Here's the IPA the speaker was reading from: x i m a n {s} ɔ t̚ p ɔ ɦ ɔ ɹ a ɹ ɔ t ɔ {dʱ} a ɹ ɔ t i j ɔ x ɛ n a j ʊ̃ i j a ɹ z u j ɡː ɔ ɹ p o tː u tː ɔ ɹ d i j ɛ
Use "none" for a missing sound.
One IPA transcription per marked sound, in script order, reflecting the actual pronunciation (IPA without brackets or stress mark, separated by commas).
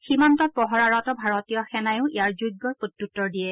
t, bʱ